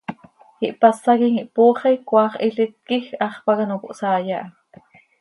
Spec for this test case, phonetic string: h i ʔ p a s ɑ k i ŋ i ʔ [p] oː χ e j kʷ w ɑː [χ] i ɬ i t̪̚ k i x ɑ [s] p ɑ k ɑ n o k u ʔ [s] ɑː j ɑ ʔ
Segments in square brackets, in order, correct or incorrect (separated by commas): correct, correct, incorrect, correct